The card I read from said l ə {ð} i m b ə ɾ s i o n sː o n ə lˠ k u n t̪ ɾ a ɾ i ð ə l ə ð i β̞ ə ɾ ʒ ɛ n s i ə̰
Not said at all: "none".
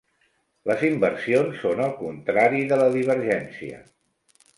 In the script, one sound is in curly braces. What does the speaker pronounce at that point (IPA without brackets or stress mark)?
z